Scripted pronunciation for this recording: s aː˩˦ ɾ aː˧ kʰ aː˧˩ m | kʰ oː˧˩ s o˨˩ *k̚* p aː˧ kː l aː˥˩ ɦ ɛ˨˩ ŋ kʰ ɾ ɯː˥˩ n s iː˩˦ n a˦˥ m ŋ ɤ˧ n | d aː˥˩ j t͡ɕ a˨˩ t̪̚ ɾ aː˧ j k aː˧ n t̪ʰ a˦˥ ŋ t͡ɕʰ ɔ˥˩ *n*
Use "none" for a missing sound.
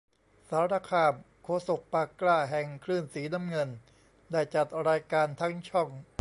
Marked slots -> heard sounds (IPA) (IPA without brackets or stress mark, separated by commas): k̚, ŋ